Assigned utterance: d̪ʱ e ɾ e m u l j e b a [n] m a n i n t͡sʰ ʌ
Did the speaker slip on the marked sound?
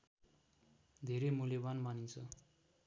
no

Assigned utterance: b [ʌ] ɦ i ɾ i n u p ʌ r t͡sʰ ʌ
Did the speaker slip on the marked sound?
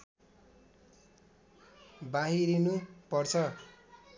yes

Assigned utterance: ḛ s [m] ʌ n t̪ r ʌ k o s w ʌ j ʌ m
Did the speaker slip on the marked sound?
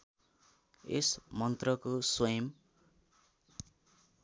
no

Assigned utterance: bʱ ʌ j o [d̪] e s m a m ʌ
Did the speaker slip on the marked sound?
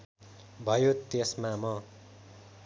yes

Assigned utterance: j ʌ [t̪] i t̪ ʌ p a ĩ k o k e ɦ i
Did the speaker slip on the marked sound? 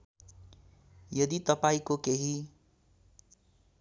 yes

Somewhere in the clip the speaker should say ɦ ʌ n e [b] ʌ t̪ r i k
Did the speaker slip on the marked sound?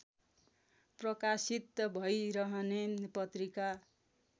yes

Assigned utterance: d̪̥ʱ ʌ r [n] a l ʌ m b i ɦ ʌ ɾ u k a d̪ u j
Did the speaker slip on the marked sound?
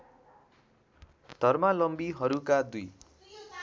yes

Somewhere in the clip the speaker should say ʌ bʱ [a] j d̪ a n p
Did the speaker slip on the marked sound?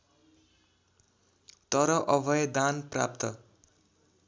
yes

